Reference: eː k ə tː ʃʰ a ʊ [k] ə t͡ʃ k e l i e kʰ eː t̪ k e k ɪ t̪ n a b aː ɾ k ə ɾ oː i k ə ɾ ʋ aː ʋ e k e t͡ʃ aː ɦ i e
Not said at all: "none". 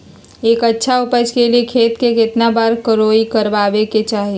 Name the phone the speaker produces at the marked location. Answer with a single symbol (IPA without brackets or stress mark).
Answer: p